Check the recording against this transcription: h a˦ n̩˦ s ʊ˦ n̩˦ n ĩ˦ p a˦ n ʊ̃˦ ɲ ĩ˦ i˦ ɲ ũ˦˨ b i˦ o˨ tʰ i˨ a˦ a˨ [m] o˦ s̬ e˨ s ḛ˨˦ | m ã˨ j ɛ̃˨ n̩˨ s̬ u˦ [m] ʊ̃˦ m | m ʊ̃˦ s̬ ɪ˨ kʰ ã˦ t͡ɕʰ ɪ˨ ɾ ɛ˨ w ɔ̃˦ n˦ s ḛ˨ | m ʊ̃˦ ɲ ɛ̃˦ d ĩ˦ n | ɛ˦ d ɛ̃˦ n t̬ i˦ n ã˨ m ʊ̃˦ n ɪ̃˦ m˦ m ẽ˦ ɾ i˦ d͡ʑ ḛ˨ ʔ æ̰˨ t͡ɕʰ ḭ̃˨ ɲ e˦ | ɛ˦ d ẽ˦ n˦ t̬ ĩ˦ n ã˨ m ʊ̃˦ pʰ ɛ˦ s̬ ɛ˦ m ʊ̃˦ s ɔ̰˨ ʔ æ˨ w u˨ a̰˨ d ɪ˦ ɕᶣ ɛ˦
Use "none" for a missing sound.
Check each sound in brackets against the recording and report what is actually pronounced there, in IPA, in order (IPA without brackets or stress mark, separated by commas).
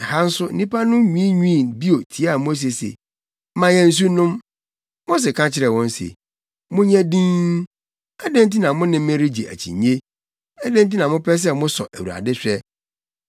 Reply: m, n